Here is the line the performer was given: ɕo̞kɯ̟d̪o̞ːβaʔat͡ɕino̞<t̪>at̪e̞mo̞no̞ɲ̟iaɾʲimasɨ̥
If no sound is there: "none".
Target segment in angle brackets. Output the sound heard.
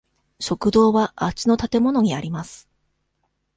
t̪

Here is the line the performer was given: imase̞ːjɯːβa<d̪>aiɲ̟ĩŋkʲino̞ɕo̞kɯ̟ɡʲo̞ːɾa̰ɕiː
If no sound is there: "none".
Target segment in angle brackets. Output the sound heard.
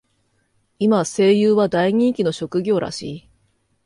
d̪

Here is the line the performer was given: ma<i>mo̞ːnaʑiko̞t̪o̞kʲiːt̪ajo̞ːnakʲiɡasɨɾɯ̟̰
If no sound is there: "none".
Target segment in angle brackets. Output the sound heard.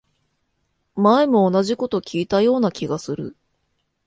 e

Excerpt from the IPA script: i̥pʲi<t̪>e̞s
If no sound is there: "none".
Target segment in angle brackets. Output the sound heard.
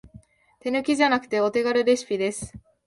d̪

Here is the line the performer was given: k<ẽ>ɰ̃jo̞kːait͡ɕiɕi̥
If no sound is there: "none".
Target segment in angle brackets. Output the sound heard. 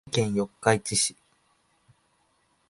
ẽ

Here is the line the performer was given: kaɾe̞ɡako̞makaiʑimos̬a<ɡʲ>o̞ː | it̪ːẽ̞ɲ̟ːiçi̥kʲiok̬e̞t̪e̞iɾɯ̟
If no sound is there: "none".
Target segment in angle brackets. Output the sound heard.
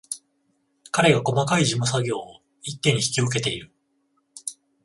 ɡʲ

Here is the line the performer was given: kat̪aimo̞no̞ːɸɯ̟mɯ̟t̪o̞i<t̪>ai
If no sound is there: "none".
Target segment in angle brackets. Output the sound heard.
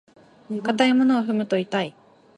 t̪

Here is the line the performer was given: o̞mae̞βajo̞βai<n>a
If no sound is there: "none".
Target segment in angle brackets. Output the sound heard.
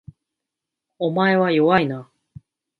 n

